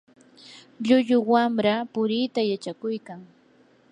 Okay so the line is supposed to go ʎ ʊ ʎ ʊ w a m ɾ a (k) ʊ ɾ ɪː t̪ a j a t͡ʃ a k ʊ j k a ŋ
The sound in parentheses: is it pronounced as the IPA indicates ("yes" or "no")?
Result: no